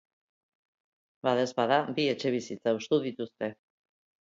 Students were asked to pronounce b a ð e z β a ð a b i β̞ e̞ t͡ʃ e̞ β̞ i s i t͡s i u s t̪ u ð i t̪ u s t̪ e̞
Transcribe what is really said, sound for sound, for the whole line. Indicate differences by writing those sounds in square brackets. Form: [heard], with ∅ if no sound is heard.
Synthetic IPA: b a ð e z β a ð a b i [∅] e̞ t͡ʃ e̞ β̞ i s i t͡s [a] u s t̪ u ð i t̪ u s t̪ e̞